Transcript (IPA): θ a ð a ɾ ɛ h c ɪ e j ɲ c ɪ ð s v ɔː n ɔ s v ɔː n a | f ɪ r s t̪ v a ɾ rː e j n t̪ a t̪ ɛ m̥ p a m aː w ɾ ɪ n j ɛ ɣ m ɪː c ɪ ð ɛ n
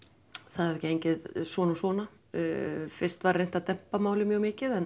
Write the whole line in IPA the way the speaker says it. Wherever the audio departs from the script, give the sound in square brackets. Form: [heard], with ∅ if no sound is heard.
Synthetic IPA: θ a ð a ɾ ɛ h c ɪ e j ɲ c ɪ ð s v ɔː n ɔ s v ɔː n a | f ɪ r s t̪ v a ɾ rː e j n t̪ a t̪ ɛ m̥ p a m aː w [l] ɪ [m] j [œ] ɣ m ɪː c ɪ ð ɛ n

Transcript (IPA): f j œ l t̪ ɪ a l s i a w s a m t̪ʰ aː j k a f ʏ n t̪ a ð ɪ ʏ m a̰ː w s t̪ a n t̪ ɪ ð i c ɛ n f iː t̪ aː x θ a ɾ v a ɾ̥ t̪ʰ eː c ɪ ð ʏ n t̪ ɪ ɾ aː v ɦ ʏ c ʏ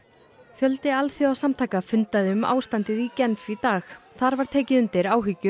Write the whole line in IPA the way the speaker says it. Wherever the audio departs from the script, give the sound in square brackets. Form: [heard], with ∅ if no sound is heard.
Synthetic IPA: f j œ l t̪ ɪ a l [θ] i a w s a m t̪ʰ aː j k a f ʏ n t̪ a ð ɪ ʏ m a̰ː w s t̪ a n t̪ ɪ ð i c ɛ n f [i] t̪ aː x θ a ɾ v a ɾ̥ t̪ʰ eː c ɪ ð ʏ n t̪ ɪ ɾ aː [w] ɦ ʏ c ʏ

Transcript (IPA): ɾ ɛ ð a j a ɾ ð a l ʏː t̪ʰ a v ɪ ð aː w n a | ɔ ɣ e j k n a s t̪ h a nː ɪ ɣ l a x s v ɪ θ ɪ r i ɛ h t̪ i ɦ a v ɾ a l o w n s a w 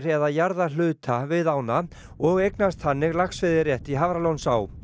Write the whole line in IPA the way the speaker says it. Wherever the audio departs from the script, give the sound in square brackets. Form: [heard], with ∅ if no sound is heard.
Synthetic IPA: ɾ ɛ ð a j a ɾ ð a l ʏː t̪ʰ a v ɪ ð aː w n a | ɔ ɣ e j k n a s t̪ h a nː ɪ ɣ l a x s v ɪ [ð] ɪ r [j] ɛ h t̪ i ɦ a v ɾ a l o w n s a w

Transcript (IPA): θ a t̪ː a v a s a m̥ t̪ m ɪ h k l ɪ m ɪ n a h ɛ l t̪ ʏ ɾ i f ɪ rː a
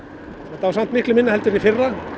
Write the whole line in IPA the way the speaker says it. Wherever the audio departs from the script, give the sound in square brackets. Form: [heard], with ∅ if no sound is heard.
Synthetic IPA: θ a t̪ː a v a s a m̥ t̪ m ɪ h k l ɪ m ɪ [nː] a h ɛ l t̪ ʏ ɾ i f ɪ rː a

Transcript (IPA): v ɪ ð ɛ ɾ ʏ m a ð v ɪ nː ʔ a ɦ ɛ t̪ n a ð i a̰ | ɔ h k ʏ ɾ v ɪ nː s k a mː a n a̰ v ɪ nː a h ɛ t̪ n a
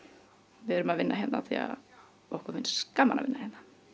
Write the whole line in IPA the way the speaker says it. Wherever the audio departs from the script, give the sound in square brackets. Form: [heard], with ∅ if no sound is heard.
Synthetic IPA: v ɪ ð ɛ ɾ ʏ m a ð v ɪ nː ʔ a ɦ ɛ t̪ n a [θ] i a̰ | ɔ h k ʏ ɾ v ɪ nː s k a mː a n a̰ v ɪ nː a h ɛ t̪ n a

